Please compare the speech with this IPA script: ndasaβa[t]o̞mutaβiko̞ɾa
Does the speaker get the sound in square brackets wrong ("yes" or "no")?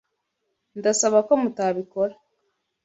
yes